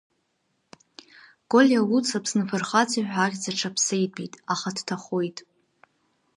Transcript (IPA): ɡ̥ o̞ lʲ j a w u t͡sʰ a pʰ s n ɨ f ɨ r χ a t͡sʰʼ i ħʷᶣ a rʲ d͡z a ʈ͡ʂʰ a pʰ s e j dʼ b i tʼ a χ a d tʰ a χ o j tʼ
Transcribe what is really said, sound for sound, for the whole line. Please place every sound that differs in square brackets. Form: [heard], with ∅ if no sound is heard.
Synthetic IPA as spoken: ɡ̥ o̞ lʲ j a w u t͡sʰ a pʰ s n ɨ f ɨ r χ a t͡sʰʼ i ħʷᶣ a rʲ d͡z a ʈ͡ʂʰ a pʰ s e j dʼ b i tʼ a χ a d tʰ a χ o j tʼ